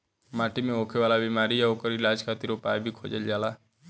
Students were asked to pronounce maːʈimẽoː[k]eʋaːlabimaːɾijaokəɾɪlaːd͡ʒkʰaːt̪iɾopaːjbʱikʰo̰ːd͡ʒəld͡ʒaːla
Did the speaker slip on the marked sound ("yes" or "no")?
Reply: yes